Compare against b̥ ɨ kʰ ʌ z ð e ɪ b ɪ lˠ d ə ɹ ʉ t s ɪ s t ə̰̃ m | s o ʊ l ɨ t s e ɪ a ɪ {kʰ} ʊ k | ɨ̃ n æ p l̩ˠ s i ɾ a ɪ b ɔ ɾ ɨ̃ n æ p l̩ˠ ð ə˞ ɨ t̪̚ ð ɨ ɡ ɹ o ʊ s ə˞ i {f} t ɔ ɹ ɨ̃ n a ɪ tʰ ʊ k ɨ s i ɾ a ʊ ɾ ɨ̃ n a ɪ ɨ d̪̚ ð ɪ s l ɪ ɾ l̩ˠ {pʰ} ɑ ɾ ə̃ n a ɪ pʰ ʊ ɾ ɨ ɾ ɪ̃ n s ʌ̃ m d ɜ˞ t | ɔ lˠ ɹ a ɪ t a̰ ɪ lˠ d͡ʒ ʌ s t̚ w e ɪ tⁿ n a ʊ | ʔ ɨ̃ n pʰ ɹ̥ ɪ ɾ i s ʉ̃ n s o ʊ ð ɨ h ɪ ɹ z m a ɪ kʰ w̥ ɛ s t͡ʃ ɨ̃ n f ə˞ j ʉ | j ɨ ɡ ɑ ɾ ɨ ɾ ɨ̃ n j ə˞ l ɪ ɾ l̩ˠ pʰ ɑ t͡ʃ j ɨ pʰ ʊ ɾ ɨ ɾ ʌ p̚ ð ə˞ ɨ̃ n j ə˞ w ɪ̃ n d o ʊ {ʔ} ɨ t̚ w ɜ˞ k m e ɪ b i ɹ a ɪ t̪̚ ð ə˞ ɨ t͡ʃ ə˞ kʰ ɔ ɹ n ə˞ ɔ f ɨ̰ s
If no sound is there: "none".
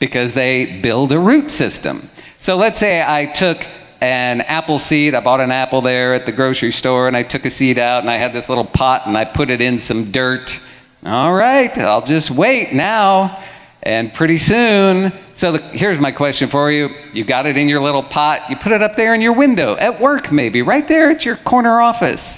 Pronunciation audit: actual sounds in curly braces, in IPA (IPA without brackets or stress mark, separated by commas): tʰ, s, pʰ, ʔ